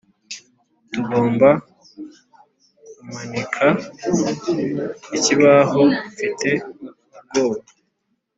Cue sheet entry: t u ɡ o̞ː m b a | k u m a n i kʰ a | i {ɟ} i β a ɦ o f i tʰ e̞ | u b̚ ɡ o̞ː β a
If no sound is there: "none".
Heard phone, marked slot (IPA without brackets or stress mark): c